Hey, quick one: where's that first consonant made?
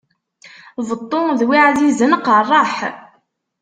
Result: lips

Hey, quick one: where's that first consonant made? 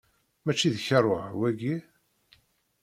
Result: lips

